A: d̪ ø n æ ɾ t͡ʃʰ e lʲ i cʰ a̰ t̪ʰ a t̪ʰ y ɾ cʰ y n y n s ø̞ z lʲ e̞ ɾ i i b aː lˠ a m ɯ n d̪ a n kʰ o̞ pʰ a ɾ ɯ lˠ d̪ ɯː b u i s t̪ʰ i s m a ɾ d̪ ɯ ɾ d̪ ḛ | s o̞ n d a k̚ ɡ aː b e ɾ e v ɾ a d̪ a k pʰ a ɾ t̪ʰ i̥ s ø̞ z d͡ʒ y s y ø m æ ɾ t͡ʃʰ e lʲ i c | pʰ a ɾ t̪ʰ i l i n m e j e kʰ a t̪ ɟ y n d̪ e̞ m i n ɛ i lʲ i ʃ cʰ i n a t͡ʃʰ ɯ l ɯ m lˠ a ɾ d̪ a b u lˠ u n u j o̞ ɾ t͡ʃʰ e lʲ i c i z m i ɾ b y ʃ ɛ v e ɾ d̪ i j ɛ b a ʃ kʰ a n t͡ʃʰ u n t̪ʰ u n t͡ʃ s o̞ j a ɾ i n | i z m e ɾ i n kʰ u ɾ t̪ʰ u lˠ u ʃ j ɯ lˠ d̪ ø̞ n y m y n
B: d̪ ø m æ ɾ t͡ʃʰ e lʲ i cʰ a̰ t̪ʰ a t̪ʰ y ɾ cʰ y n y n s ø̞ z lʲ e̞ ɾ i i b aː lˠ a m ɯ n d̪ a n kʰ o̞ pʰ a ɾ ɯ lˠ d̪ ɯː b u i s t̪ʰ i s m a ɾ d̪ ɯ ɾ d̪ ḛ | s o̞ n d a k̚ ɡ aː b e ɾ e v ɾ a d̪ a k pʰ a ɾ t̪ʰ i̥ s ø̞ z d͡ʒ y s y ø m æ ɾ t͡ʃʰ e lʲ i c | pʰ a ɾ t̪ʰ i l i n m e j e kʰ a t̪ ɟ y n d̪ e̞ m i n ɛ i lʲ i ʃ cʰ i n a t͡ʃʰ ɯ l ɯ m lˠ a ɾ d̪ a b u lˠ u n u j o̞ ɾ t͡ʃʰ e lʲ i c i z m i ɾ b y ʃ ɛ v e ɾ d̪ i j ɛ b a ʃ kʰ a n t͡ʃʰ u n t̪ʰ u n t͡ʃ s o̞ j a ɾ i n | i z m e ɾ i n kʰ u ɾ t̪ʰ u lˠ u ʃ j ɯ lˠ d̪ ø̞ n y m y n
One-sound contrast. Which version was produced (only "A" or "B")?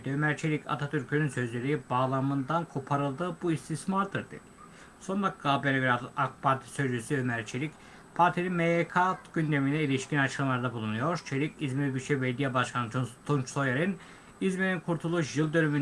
B